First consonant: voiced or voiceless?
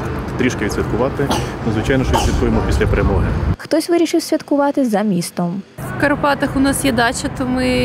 voiceless